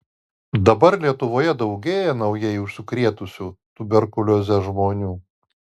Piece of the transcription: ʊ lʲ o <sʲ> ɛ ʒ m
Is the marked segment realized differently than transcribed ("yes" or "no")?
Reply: yes